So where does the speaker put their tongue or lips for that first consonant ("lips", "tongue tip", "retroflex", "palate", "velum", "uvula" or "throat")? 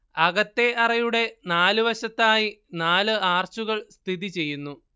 velum